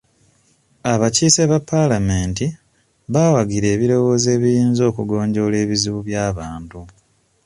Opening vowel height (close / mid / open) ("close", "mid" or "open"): open